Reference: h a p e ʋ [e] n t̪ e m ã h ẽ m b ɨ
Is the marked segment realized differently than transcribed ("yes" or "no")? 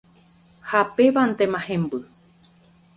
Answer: yes